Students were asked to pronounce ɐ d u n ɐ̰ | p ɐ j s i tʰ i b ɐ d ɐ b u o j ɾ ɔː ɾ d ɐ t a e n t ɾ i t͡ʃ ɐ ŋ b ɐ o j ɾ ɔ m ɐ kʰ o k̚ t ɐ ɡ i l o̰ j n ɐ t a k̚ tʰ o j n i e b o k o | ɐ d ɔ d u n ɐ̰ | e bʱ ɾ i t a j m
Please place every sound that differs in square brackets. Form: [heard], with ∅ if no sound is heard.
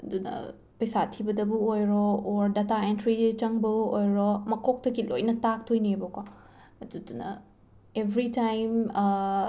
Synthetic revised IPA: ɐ d u n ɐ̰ | p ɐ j s [a] tʰ i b ɐ d ɐ b u o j ɾ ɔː ɾ d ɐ t a e n t ɾ i t͡ʃ ɐ ŋ b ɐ o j ɾ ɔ m ɐ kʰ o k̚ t ɐ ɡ i l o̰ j n ɐ t a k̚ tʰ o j n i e b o k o | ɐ d [u] d u n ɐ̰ | e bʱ ɾ i t a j m